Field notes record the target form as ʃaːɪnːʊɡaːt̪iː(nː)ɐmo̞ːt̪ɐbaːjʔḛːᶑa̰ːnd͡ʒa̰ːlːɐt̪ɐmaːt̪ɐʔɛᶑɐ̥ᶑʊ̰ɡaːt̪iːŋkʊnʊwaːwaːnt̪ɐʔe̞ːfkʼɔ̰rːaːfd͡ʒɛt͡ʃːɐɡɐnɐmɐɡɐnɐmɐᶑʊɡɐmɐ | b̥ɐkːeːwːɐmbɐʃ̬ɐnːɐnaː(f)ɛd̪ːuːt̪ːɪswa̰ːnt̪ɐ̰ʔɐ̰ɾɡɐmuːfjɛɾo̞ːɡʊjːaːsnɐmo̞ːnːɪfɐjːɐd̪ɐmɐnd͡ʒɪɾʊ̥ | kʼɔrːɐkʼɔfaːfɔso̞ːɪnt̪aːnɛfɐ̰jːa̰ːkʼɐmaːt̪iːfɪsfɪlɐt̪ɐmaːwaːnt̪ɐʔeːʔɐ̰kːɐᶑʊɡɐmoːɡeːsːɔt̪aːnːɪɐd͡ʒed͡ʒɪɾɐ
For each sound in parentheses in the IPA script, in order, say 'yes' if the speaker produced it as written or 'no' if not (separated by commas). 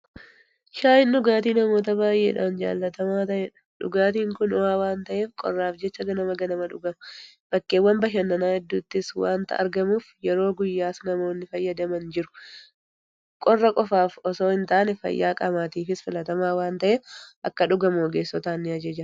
no, no